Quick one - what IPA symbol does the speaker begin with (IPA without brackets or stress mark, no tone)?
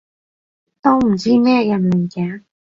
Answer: t̪